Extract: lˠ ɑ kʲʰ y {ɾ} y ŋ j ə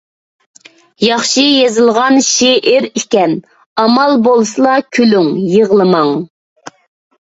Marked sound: incorrect: l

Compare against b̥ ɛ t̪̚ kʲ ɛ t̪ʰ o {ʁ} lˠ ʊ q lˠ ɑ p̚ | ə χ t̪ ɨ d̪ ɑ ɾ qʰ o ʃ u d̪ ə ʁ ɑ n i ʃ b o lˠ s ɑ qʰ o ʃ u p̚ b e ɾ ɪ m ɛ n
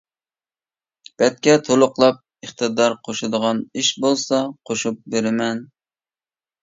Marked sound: incorrect: none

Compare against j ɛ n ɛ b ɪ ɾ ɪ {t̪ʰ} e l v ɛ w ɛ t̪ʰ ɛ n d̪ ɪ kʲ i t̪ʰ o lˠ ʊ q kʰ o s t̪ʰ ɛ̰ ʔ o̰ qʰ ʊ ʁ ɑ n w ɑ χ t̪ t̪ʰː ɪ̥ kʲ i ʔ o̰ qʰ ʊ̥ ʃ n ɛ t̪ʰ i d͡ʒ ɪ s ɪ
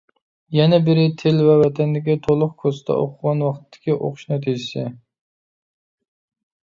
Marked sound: correct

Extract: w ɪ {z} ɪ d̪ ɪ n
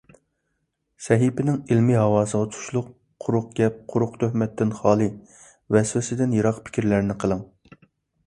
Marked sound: incorrect: s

